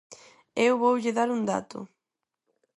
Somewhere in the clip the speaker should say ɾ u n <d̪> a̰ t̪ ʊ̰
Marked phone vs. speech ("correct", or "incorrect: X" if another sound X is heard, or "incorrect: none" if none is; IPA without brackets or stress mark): correct